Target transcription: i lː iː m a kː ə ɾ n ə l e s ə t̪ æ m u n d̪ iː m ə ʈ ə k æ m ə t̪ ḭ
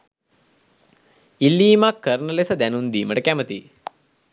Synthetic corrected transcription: i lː iː m a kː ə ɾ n ə l e s ə d̪ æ n u n d̪ iː m ə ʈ ə k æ m ə t̪ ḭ